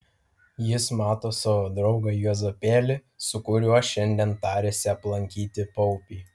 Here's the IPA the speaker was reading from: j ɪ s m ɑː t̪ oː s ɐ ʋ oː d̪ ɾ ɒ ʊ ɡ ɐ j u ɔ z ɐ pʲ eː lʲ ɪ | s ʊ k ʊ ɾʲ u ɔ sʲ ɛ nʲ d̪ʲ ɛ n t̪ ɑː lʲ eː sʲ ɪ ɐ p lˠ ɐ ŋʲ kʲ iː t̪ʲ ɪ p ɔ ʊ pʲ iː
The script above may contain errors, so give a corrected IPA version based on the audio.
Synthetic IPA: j ɪ s m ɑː t̪ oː s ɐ ʋ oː d̪ ɾ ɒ ʊ ɡ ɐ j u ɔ z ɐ pʲ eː lʲ ɪ | s ʊ k ʊ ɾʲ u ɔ ʃʲ ɛ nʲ d̪ʲ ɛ n t̪ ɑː ɾʲ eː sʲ ɪ ɐ p lˠ ɐ ŋʲ kʲ iː t̪ʲ ɪ p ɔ ʊ pʲ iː

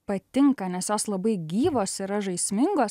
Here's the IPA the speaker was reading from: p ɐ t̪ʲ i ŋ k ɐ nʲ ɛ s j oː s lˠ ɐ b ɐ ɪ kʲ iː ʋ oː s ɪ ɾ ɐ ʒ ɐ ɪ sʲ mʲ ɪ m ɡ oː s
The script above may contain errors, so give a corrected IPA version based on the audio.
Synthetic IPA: p ɐ t̪ʲ ɪ ŋ k ɐ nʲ ɛ s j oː s lˠ ɐ b ɐ ɪ ɡʲ iː ʋ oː s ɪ ɾ ɐ ʒ ɐ ɪ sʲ mʲ ɪ ŋ ɡ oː s

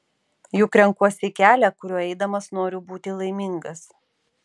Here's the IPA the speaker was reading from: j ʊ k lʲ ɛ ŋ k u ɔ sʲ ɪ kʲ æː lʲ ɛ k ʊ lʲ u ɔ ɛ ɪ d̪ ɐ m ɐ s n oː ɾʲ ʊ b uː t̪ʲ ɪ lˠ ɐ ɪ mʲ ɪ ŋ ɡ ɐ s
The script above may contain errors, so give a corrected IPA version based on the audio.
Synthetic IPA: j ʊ k ɾʲ ɛ ŋ k u ɔ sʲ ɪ kʲ æː lʲ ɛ k ʊ ɾʲ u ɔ ɛ ɪ d̪ ɐ m ɐ s n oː ɾʲ ʊ b uː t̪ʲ ɪ lˠ ɐ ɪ mʲ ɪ ŋ ɡ ɐ s

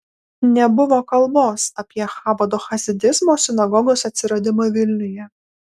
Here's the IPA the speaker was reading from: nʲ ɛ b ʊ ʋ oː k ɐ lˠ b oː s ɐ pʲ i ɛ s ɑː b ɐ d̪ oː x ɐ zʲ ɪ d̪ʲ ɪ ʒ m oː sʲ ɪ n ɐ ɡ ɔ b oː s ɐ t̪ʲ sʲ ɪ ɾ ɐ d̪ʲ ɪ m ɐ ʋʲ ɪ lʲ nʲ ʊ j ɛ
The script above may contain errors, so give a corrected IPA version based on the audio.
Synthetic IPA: nʲ ɛ b ʊ ʋ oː k ɐ lˠ b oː s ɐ pʲ i ɛ x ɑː b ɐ d̪ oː x ɐ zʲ ɪ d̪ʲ ɪ z m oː sʲ ɪ n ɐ ɡ ɔ ɡ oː s ɐ t̪ʲ sʲ ɪ ɾ ɐ d̪ʲ ɪ m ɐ ʋʲ ɪ lʲ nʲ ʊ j ɛ

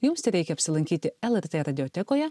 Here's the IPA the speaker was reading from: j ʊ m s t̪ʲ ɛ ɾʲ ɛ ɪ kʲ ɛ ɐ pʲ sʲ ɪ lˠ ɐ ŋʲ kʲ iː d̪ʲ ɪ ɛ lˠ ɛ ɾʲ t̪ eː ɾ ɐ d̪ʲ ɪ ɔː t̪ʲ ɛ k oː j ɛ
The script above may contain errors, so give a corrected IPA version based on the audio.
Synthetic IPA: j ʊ m s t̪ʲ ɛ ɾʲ ɛ ɪ kʲ ɛ ɐ pʲ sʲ ɪ lˠ ɐ ŋʲ kʲ iː t̪ʲ ɪ ɛ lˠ ɛ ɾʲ t̪ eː ɾ ɐ d̪ʲ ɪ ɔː t̪ʲ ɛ k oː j ɛ

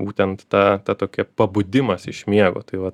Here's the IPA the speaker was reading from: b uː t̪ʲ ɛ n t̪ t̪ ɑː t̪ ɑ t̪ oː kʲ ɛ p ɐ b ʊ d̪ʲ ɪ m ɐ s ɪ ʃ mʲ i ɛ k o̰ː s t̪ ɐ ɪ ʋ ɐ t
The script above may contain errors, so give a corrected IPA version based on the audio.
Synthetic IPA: b uː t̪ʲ ɛ n t̪ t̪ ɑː t̪ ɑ t̪ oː kʲ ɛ p ɐ b ʊ d̪ʲ ɪ m ɐ s ɪ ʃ mʲ i ɛ ɡ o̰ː t̪ ɐ ɪ ʋ ɐ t

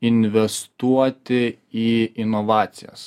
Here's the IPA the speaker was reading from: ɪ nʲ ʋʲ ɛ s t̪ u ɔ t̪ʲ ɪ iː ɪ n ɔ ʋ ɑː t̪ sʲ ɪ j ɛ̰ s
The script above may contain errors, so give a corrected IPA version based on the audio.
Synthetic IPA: ɪ nʲ ʋʲ ɛ s t̪ u ɔ t̪ʲ ɪ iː ɪ n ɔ ʋ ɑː t̪ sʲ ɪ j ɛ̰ s

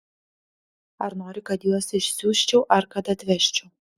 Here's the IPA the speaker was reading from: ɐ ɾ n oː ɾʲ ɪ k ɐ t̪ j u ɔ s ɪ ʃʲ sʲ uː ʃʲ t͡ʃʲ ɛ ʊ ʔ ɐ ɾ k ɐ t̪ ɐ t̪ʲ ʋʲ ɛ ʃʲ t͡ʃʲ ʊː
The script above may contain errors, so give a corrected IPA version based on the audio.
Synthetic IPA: ɐ ɾ n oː ɾʲ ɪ k ɐ t̪ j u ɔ s ɪ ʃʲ sʲ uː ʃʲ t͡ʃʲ ɛ ʊ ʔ ɐ ɾ k ɐ t̪ ɐ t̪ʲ ʋʲ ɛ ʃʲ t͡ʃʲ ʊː

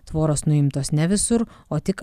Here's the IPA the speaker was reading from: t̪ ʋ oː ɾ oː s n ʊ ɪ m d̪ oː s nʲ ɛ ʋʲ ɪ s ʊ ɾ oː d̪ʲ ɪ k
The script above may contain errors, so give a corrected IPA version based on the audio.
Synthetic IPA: t̪ ʋ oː ɾ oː s n ʊ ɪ m t̪ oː s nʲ ɛ ʋʲ ɪ s ʊ ɾ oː t̪ʲ ɪ k

